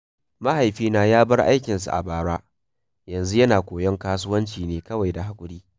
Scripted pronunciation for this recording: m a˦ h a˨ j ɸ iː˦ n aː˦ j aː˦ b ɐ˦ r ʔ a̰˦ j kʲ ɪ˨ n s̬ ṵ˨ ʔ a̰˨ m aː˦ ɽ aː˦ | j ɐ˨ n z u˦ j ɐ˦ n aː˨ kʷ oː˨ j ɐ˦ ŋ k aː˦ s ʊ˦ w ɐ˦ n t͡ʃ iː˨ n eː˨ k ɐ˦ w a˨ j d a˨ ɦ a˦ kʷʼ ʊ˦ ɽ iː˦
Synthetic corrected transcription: m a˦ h a˨ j ɸ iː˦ n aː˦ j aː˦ b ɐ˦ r ʔ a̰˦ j kʲ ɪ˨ n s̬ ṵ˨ ʔ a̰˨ b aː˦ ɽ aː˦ | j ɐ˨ n z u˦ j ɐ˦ n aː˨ kʷ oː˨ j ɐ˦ ŋ k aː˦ s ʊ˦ w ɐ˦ n t͡ʃ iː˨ n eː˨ k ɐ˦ w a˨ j d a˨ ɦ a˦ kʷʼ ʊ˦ ɽ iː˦